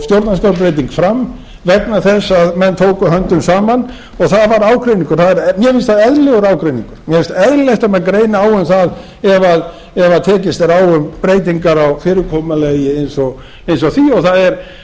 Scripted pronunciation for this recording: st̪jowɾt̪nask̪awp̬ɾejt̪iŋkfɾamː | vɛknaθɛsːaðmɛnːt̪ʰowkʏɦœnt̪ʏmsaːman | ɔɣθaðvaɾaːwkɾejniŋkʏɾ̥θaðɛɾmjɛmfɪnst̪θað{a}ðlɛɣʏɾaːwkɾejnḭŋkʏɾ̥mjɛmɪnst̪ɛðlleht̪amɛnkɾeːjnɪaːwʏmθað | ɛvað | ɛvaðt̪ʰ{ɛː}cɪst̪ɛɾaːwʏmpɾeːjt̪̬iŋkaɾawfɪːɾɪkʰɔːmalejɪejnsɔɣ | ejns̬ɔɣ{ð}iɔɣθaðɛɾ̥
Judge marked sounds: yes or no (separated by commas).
no, yes, no